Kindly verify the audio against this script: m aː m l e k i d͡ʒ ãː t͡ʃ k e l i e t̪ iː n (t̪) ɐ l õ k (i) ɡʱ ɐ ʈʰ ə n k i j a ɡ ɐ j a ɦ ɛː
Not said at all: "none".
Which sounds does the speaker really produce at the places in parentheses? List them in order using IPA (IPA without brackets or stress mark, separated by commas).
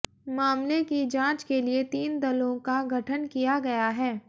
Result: d̪, a